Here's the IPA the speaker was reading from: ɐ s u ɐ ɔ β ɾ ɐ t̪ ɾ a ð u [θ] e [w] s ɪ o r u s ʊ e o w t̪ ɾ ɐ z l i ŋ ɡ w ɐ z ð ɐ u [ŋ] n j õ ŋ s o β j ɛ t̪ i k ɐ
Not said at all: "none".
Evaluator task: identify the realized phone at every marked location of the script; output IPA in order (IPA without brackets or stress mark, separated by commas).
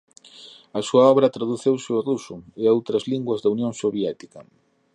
θ, w, none